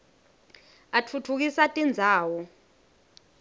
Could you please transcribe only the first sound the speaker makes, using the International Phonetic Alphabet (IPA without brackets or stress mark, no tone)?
a